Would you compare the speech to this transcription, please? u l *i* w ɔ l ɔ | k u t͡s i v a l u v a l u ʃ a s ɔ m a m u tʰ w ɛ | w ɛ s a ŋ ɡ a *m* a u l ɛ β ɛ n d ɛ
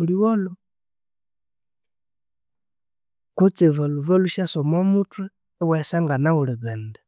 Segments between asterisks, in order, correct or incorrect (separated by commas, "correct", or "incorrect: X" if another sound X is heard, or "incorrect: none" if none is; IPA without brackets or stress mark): correct, incorrect: n